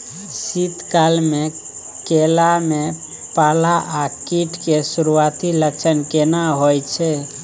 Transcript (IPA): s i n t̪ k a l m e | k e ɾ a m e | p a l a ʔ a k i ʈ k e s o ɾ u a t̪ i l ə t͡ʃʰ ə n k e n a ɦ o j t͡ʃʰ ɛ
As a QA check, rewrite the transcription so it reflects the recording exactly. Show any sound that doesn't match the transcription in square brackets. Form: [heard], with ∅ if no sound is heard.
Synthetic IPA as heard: s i [∅] t̪ k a l m e | k e [l] a m e | p a l a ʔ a k i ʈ k e s [u] ɾ u a t̪ i l ə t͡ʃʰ ə n k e n a ɦ o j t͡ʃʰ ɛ